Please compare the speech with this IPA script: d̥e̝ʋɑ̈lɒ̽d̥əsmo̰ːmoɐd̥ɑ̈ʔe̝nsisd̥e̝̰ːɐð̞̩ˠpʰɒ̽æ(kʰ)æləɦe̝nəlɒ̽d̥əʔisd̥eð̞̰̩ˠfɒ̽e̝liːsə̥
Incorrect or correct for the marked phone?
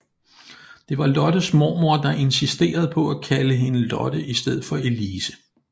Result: correct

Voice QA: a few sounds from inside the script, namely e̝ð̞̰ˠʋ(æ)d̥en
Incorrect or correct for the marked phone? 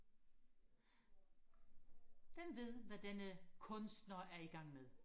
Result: correct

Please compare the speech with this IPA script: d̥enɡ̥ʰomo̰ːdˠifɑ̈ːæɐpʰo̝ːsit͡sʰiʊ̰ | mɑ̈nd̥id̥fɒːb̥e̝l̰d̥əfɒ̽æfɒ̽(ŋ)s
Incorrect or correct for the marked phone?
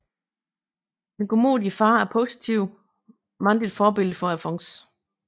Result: correct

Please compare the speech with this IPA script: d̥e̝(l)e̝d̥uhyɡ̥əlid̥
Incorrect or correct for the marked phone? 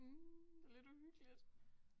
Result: correct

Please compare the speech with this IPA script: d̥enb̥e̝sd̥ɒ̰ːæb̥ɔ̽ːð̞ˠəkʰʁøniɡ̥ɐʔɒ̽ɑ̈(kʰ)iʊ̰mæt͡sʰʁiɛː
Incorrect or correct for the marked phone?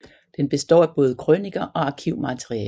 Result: correct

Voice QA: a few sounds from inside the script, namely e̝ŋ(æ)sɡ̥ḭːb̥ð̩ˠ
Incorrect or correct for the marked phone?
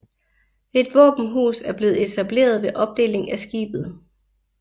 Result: correct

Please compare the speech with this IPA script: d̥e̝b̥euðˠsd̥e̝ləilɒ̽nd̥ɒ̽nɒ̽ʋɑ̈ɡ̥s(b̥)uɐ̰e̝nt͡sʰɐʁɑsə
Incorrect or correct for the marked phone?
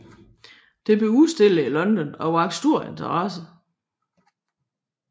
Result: incorrect: d̥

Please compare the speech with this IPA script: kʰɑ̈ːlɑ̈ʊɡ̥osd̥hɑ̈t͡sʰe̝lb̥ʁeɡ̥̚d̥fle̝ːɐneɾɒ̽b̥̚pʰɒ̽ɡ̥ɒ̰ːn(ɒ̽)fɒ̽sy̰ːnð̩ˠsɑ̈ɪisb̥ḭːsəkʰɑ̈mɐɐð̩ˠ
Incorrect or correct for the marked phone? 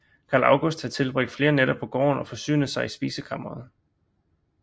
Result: correct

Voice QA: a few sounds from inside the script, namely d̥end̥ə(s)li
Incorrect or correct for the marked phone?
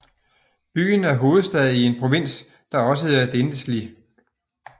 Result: correct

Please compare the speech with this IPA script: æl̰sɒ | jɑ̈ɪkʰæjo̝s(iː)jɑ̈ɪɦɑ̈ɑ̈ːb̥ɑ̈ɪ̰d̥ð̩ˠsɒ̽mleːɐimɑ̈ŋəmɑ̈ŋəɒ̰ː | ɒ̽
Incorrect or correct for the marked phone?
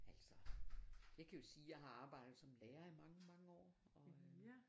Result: correct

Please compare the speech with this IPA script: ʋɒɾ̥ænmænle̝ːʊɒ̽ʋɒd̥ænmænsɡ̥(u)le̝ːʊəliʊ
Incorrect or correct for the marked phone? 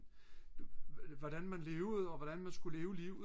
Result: correct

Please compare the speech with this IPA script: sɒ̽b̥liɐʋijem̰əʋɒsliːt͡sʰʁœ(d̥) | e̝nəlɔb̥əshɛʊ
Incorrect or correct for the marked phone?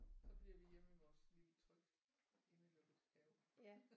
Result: incorrect: ɡ̥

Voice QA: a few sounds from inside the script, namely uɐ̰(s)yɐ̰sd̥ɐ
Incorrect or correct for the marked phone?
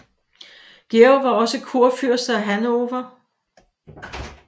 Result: incorrect: f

